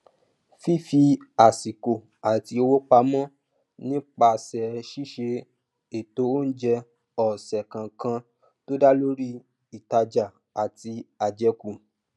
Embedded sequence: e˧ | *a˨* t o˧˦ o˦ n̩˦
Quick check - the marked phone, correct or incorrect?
incorrect: e˨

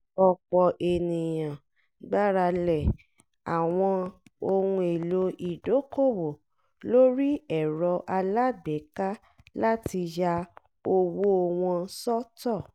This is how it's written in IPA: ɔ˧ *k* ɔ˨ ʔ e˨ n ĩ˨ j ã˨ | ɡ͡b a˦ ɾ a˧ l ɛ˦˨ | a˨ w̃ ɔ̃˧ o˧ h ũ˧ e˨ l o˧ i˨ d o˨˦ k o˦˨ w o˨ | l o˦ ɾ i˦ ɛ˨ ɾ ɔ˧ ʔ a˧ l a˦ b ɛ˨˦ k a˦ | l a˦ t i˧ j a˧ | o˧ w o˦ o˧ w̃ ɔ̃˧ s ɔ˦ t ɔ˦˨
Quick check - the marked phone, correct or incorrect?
incorrect: k͡p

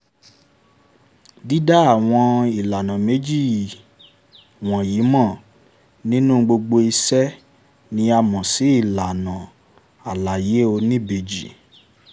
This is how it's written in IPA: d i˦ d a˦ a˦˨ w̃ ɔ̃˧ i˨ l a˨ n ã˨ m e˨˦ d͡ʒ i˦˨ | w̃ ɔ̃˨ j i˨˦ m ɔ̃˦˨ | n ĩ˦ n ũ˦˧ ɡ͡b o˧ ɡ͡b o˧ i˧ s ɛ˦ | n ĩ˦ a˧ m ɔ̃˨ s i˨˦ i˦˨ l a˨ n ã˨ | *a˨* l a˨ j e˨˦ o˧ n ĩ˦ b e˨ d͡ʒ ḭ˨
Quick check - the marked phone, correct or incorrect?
correct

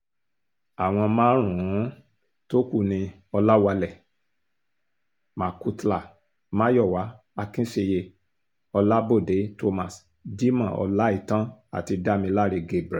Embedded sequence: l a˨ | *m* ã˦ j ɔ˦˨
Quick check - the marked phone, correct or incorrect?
correct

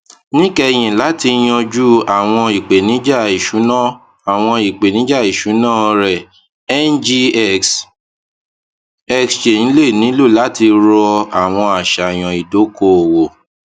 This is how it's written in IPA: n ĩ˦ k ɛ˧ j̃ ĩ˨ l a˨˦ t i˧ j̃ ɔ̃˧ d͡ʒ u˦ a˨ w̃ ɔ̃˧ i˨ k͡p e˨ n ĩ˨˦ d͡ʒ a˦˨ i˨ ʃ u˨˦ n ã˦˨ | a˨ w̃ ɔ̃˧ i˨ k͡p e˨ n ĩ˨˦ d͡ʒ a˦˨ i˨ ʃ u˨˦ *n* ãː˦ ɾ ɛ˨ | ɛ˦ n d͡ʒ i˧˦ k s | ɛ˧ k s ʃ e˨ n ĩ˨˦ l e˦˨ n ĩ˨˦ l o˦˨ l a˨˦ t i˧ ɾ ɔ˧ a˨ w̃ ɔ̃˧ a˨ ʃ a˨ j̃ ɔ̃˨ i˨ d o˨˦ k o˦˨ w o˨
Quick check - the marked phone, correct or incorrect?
correct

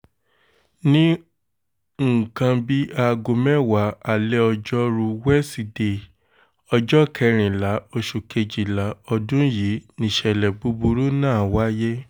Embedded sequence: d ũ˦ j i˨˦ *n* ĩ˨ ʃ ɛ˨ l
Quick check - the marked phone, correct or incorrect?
correct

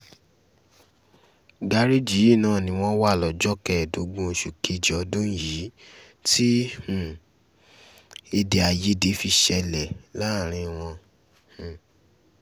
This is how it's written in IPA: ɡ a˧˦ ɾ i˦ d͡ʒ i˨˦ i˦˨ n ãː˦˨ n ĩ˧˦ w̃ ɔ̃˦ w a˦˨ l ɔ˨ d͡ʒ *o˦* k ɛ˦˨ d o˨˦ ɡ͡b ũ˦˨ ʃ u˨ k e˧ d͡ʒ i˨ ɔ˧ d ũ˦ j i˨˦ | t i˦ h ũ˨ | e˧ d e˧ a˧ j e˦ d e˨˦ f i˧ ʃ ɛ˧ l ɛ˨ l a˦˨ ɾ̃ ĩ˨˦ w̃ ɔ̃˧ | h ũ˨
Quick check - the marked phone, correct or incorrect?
incorrect: ɔ˦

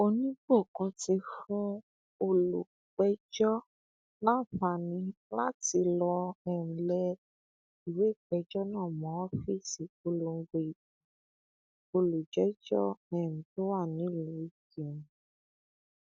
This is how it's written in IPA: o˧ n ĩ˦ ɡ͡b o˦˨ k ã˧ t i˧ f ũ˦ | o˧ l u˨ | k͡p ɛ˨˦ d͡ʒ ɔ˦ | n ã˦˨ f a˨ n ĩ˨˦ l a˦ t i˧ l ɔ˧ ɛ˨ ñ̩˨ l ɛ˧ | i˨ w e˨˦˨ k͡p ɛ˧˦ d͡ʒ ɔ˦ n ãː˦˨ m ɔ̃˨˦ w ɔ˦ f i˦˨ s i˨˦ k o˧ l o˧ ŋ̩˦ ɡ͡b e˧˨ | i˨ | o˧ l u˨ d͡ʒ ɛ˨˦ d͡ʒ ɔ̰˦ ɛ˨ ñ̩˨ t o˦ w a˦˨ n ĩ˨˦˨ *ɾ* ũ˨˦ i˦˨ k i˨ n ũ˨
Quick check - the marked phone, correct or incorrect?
incorrect: l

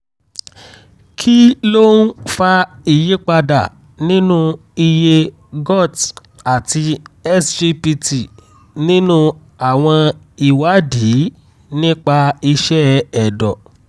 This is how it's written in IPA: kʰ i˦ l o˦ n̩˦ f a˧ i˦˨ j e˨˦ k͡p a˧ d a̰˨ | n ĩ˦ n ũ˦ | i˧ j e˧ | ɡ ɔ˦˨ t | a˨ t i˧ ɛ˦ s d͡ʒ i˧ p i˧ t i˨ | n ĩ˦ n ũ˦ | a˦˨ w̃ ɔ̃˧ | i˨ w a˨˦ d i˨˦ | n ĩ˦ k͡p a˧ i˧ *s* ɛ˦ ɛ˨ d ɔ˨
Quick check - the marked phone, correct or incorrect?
incorrect: ʃ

